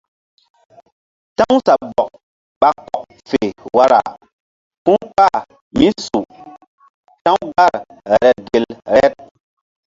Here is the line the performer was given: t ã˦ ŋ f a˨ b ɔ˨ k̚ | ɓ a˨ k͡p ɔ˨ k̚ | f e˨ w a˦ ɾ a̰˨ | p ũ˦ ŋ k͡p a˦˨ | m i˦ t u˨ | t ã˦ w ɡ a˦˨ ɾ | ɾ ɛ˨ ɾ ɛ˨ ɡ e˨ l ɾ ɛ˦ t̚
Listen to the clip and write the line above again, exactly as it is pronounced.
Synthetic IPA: t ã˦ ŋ s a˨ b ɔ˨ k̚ | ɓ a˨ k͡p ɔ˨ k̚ | f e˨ w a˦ ɾ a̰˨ | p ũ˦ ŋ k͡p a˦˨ | m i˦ s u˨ | t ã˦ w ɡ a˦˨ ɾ | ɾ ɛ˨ ɾ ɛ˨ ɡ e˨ l ɾ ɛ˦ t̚